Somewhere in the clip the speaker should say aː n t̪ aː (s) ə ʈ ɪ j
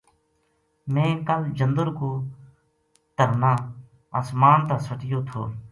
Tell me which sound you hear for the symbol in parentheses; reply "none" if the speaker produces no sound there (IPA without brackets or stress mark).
s